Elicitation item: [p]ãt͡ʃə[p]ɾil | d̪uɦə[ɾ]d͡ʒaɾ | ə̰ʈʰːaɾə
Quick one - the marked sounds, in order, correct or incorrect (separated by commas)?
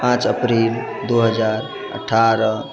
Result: correct, correct, incorrect